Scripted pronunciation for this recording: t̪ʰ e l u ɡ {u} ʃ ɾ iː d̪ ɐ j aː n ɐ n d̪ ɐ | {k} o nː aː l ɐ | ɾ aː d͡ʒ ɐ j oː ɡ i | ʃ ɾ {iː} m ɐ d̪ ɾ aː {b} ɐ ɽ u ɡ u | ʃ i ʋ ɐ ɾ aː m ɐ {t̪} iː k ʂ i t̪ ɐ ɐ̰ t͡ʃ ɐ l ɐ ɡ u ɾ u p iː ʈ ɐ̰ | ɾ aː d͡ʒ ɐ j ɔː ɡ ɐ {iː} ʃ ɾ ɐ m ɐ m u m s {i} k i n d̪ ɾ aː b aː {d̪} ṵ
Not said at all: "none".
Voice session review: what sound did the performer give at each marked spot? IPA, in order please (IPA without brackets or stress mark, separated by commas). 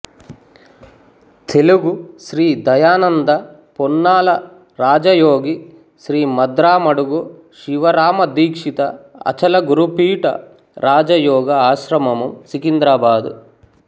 u, p, iː, m, d̪, aː, i, d̪